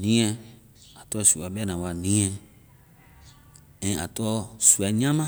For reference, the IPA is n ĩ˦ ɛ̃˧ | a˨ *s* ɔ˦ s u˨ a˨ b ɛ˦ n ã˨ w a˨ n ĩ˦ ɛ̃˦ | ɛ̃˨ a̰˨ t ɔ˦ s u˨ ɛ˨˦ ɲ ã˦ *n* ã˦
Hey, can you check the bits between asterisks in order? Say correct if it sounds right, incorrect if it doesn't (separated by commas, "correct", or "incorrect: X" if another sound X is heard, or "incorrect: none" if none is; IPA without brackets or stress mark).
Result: incorrect: t, incorrect: m